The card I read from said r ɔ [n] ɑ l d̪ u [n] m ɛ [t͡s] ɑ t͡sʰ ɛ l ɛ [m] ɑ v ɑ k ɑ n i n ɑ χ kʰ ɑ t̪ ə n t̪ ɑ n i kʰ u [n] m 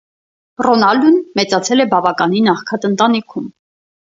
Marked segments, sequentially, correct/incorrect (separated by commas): correct, correct, correct, incorrect, incorrect